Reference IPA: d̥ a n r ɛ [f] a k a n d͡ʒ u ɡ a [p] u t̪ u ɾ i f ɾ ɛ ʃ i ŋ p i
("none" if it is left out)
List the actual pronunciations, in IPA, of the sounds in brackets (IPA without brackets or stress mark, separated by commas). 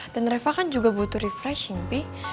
f, b